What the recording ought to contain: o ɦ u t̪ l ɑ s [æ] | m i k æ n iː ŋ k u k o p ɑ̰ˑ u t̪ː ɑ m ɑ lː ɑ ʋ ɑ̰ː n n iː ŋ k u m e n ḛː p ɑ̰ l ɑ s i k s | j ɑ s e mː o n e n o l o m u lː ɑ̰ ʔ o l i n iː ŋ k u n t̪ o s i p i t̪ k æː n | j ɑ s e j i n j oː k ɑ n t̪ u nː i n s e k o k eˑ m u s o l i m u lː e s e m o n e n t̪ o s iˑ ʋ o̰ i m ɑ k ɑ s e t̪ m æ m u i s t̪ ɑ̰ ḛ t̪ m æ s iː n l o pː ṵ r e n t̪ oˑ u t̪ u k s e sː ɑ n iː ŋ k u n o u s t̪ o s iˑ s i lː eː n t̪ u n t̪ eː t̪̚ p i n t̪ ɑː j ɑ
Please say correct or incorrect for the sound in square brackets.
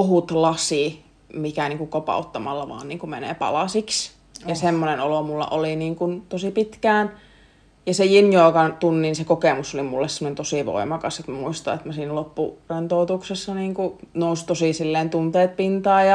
incorrect